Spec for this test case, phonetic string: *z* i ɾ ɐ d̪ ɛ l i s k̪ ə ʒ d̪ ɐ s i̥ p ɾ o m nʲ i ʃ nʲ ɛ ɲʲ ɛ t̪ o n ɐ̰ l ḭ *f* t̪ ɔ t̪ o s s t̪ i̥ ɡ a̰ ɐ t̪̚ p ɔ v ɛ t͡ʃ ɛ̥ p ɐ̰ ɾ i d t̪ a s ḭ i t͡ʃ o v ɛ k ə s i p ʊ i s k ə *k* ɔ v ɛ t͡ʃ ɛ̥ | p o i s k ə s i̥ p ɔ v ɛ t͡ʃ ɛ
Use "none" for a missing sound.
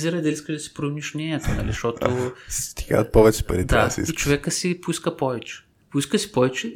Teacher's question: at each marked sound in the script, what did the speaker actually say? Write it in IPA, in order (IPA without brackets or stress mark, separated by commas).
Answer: z, ʃ, p